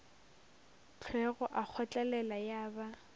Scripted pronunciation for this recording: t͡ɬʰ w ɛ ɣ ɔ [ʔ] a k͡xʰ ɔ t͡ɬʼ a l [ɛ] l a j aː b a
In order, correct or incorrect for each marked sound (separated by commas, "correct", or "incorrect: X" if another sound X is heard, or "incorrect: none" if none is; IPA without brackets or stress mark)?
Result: correct, correct